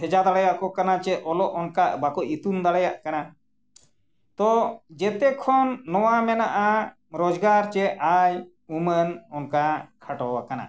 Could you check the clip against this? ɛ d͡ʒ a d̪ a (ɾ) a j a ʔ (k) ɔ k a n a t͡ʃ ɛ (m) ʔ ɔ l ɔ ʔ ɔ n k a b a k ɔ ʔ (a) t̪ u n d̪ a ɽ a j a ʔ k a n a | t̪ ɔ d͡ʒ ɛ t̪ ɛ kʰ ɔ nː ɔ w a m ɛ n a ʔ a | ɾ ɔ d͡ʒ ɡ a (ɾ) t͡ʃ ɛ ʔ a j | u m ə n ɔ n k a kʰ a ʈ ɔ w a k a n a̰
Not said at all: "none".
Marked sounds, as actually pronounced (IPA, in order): ɽ, k, none, i, ɾ

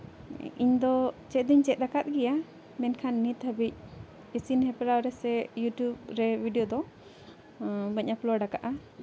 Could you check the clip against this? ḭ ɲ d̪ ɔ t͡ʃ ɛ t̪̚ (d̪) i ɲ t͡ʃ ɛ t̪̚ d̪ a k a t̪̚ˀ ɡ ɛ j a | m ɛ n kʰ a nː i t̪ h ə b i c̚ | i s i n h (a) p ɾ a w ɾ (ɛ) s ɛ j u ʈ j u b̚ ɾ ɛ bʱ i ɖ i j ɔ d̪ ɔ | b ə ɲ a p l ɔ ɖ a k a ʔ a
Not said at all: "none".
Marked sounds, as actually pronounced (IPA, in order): d̪, ɛ, ɛ

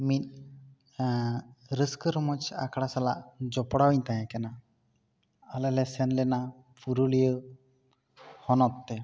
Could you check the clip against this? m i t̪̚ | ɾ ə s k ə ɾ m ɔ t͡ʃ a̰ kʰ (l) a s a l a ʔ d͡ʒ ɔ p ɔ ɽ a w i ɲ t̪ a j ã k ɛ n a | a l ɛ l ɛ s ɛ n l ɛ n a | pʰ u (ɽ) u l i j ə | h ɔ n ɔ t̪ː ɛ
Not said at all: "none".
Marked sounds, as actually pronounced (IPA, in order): ɽ, ɾ

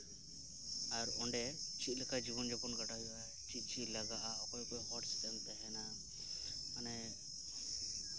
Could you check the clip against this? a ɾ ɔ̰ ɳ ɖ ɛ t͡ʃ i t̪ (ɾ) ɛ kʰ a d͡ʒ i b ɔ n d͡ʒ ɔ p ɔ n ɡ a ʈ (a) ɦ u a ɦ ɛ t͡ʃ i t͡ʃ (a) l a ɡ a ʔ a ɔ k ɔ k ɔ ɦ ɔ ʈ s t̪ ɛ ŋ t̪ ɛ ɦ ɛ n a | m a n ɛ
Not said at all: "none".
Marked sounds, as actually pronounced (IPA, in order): l, a, i

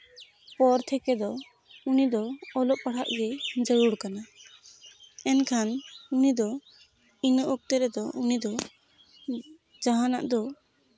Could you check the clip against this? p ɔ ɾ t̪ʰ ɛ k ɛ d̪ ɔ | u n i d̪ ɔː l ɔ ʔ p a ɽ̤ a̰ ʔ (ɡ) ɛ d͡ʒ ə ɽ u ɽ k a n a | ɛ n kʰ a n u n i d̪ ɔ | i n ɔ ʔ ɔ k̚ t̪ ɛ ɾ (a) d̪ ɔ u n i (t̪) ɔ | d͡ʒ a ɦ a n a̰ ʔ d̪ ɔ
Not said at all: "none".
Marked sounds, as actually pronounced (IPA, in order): ɡ, ɛ, d̪

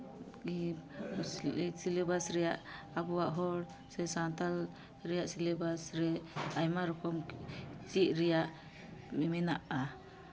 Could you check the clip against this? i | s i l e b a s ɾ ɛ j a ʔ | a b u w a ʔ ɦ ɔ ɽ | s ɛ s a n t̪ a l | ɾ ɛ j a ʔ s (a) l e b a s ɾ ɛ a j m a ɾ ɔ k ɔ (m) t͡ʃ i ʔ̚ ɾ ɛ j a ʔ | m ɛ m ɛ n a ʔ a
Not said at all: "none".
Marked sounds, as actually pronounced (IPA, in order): i, m

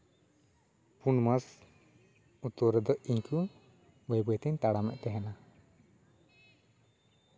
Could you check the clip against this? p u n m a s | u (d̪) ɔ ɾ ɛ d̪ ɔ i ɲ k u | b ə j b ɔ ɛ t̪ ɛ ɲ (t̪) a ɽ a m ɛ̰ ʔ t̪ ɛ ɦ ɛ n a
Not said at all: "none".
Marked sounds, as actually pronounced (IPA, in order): t̪, t̪

